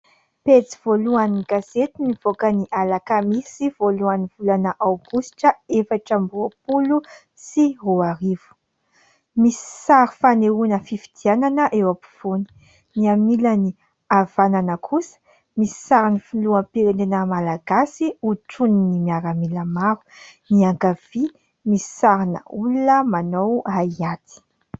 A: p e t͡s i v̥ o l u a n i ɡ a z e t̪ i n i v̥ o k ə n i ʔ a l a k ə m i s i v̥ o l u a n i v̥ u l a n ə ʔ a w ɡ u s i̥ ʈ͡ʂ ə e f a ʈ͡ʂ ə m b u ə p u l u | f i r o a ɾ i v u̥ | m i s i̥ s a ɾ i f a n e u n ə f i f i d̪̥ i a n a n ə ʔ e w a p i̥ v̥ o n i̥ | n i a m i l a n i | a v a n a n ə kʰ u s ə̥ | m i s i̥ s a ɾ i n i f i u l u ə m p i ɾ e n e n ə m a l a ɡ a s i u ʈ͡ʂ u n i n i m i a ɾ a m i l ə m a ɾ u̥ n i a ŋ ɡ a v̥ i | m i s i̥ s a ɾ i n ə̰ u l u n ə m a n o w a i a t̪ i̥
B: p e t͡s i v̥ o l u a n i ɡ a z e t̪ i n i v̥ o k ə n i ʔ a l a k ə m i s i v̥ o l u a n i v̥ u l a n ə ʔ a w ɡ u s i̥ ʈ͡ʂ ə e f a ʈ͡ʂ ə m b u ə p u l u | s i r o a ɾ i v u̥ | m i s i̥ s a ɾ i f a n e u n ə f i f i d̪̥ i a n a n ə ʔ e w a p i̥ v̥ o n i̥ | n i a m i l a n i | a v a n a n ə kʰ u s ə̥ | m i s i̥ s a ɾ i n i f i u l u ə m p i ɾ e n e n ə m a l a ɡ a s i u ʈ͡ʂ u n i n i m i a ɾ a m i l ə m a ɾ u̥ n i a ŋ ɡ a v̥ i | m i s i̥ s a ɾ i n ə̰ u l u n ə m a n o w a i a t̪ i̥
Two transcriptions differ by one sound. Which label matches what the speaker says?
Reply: B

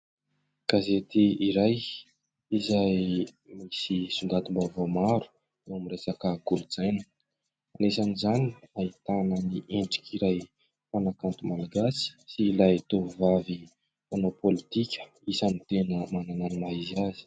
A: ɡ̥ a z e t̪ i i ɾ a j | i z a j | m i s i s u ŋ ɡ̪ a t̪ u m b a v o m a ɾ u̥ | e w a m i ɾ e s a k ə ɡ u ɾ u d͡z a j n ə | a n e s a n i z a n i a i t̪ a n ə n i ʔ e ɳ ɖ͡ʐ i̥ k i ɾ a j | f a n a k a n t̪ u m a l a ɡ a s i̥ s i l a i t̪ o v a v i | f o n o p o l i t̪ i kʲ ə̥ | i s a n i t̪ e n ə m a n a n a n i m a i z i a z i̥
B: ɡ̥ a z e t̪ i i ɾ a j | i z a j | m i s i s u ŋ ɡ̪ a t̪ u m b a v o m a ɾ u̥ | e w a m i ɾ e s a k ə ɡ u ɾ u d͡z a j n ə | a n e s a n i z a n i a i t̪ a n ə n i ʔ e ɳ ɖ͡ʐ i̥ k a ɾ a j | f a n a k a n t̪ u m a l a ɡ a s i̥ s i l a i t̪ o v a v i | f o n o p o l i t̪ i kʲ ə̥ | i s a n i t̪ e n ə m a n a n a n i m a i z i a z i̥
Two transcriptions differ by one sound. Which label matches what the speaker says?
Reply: A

